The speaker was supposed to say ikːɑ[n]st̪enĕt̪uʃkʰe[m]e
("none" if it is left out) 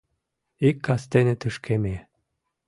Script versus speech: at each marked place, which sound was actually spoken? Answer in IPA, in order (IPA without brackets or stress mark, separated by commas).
none, m